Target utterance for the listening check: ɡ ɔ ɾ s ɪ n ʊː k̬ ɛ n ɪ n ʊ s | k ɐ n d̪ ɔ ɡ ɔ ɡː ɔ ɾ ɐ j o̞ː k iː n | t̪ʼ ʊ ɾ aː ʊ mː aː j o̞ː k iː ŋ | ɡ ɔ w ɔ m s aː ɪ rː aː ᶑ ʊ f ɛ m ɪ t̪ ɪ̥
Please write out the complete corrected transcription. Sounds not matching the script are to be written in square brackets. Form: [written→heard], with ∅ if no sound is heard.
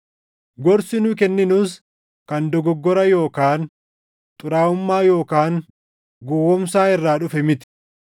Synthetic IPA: ɡ ɔ ɾ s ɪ n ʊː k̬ ɛ [n→nː] ɪ n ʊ s | k ɐ n d̪ ɔ ɡ ɔ ɡː ɔ ɾ ɐ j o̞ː k [iː→aː] n | t̪ʼ ʊ ɾ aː ʊ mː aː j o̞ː k [iː→aː] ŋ | ɡ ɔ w ɔ m s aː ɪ rː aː ᶑ ʊ f ɛ m ɪ t̪ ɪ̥